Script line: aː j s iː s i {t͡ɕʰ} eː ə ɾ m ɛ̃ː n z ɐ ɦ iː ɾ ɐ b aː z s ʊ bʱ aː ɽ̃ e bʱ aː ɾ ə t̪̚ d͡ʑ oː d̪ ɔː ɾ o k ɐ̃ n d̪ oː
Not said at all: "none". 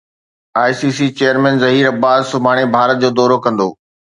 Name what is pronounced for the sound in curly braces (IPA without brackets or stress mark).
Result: t͡ɕ